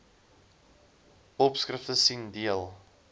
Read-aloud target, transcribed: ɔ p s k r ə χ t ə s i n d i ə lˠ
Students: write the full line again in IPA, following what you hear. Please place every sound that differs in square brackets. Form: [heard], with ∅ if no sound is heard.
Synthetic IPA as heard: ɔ p s k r ə [f] t ə s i n d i ə lˠ